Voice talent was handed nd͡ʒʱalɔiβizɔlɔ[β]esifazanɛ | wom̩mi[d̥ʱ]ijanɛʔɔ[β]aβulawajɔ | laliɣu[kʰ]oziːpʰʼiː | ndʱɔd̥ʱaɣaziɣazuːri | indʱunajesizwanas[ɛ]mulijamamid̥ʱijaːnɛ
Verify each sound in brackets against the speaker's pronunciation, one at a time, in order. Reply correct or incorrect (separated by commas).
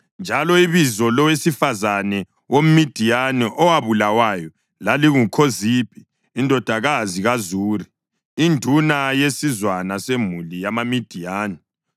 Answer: incorrect, correct, incorrect, correct, incorrect